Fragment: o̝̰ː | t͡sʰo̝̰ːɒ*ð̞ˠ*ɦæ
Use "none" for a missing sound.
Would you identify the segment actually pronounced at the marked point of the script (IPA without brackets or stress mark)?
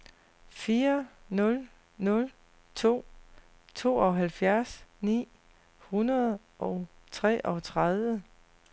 none